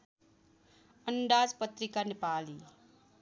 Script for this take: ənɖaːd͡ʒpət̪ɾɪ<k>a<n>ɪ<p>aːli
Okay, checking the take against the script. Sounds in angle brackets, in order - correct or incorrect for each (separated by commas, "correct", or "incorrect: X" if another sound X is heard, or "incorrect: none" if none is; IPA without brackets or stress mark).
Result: correct, correct, correct